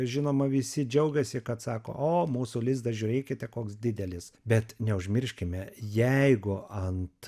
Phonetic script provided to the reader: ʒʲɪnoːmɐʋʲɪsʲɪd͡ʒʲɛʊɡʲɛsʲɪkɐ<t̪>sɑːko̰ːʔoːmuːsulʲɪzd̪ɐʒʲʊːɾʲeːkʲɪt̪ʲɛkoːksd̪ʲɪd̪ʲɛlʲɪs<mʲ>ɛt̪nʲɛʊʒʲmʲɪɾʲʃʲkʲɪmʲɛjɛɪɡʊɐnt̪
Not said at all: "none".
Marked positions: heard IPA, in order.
t̪, bʲ

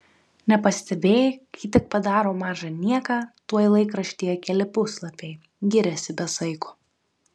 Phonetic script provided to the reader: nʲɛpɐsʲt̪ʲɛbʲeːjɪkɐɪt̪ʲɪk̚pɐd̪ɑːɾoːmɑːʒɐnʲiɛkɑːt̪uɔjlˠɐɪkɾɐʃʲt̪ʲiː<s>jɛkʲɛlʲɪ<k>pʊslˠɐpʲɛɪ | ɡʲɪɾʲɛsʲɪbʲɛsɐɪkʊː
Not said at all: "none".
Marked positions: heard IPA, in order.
none, none

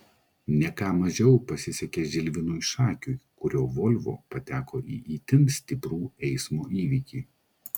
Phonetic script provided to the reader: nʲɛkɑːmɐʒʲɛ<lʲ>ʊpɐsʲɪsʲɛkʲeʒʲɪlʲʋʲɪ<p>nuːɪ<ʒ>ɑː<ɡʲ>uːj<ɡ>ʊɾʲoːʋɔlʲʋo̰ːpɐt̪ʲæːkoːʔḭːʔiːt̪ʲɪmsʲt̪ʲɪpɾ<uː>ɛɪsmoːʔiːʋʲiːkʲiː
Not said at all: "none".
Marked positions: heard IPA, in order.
none, none, ʃ, kʲ, k, uː

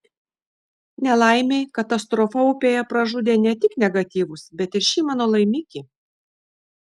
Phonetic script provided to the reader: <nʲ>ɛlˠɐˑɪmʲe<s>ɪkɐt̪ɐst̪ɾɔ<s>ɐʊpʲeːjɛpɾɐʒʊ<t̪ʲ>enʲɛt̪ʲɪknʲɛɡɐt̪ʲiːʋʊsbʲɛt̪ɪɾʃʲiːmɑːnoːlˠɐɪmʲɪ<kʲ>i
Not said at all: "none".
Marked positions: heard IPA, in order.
nʲ, none, f, d̪ʲ, kʲ

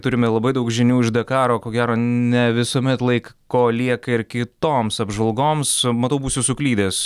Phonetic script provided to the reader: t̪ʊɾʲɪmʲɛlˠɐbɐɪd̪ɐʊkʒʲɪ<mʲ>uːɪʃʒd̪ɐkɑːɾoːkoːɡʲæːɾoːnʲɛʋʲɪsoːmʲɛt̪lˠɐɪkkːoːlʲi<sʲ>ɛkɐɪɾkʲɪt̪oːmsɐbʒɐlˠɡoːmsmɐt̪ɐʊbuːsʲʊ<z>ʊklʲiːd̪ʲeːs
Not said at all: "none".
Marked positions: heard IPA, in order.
nʲ, none, s

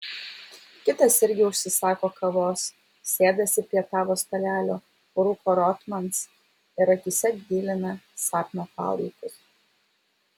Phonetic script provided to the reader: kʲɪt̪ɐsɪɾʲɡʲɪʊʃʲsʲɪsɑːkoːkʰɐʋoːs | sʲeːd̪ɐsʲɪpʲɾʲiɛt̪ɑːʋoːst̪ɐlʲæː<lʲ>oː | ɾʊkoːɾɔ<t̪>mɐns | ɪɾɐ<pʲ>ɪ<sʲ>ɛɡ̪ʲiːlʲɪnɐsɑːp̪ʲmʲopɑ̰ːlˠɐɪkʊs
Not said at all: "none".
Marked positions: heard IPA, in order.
lʲ, t̪, kʲ, sʲ

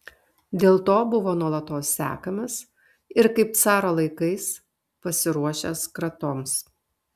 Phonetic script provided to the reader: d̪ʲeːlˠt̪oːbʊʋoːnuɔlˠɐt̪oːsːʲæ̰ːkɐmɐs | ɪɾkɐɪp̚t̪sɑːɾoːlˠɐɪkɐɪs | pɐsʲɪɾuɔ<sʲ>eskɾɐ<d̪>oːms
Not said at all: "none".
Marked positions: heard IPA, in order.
ʃʲ, t̪

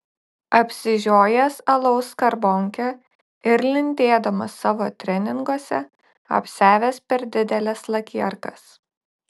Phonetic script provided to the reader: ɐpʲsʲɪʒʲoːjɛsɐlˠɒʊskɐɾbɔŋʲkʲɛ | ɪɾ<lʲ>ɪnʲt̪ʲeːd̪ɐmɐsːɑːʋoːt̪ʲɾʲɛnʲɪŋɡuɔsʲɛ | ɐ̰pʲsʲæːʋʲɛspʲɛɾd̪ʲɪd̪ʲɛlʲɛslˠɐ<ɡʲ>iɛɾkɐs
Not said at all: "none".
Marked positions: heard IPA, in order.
lʲ, kʲ

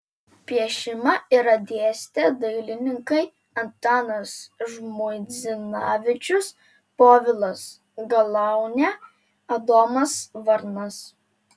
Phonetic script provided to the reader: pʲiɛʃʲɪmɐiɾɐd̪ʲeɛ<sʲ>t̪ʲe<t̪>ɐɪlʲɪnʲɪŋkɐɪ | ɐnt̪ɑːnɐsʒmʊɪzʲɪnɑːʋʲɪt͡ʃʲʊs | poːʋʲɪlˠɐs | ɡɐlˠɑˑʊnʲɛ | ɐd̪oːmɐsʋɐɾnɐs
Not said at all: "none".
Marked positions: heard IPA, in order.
sʲ, d̪

